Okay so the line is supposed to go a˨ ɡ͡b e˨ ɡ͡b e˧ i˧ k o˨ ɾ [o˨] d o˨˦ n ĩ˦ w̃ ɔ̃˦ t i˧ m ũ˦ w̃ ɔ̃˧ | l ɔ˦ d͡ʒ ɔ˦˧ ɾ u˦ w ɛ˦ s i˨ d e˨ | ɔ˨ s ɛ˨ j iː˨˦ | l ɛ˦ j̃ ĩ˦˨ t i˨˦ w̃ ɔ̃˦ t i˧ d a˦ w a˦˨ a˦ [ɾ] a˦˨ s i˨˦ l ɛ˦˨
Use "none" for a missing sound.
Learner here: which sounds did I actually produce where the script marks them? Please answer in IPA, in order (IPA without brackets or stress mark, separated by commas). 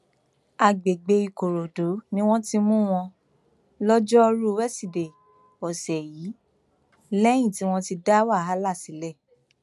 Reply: o˨, l